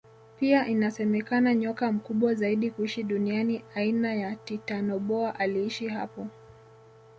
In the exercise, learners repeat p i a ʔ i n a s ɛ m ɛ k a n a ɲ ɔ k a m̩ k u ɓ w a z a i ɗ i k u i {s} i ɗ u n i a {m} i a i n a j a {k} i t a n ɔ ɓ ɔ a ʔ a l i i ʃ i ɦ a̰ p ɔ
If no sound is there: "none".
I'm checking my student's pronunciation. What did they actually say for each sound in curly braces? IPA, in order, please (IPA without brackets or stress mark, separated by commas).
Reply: ʃ, n, t